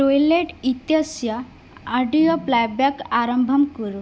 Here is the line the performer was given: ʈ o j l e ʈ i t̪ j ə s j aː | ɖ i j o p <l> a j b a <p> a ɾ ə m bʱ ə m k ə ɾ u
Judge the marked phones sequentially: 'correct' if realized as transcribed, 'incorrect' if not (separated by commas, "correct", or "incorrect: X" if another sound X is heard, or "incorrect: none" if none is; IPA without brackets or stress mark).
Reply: correct, incorrect: k